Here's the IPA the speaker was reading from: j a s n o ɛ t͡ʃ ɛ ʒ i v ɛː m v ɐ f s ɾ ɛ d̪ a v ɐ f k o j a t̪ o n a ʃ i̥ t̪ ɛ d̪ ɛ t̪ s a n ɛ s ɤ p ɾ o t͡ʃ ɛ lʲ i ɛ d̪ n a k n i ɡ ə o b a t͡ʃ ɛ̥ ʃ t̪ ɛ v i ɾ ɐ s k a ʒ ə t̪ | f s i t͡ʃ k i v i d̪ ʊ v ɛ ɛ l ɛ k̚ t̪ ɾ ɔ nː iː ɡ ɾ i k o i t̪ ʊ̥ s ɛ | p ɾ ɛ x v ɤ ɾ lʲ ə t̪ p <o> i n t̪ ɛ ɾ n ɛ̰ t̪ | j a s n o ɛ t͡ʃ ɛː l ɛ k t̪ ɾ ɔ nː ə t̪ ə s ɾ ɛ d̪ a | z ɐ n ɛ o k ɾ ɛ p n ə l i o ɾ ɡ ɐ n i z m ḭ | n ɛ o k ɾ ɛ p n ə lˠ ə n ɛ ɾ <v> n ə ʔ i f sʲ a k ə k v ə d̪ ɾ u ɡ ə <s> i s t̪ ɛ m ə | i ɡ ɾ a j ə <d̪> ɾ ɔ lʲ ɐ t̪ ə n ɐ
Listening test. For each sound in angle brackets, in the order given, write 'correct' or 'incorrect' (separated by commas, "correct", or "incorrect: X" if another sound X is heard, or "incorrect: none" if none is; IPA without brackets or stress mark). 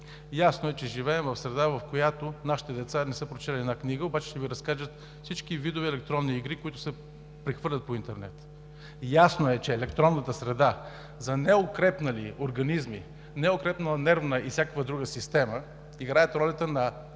correct, correct, correct, incorrect: t̪